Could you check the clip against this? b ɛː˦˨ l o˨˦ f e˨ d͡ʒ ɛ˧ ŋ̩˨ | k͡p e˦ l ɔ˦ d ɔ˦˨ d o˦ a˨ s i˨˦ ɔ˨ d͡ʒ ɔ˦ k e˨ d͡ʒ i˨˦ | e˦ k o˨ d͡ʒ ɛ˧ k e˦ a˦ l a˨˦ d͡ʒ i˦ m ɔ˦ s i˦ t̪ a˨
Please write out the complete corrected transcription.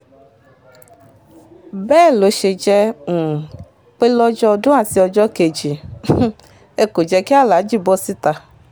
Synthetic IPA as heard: b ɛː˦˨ l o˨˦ ʃ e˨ d͡ʒ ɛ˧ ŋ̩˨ | k͡p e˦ l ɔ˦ d͡ʒ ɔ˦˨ d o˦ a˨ s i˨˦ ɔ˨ d͡ʒ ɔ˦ k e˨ d͡ʒ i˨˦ | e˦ k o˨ d͡ʒ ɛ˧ k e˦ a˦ l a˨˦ d͡ʒ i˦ b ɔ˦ s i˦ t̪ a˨